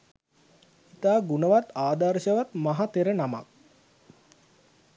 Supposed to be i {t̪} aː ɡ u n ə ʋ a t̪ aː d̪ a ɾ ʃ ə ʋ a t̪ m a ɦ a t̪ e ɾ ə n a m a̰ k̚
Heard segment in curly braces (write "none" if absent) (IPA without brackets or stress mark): t̪